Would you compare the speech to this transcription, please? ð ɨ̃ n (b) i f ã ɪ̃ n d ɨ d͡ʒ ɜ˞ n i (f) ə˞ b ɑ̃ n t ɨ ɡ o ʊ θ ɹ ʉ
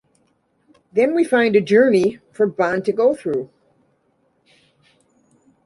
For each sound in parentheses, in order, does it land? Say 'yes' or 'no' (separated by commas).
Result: no, yes